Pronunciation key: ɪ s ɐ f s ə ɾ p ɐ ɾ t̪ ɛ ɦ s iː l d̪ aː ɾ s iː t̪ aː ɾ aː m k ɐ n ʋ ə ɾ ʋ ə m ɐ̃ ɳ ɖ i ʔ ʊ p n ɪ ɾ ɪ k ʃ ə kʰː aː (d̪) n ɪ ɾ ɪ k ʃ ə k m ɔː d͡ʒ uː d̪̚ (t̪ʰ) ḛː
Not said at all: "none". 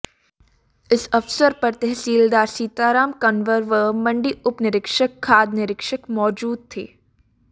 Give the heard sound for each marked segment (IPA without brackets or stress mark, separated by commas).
d̪, t̪ʰ